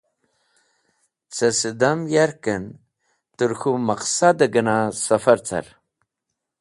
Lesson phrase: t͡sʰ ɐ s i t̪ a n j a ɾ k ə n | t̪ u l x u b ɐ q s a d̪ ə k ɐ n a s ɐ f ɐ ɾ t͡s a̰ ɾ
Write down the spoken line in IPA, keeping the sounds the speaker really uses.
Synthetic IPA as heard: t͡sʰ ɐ s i d̪ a m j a ɾ k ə n | t̪ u ɾ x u m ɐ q s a d̪ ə ɡ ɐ n a s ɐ f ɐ ɾ t͡s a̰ ɾ